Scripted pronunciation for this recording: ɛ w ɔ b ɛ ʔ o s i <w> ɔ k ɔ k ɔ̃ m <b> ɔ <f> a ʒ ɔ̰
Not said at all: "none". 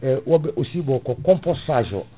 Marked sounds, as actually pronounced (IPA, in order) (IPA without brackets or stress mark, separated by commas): b, p, s